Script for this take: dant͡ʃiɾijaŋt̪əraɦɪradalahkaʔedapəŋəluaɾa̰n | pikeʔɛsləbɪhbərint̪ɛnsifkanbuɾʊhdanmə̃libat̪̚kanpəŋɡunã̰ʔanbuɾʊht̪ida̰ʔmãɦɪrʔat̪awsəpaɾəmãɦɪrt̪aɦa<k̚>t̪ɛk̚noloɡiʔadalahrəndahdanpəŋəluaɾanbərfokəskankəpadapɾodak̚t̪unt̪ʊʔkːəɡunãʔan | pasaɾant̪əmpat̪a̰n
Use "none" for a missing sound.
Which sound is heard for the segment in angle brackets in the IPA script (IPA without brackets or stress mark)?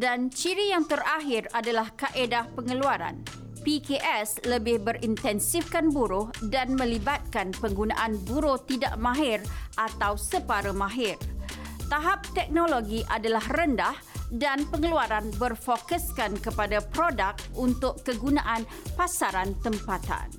p̚